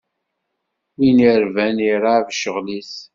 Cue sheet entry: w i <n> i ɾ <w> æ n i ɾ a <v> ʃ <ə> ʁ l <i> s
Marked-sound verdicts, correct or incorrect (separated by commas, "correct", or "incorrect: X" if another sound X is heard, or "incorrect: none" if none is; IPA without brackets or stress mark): correct, incorrect: v, correct, correct, correct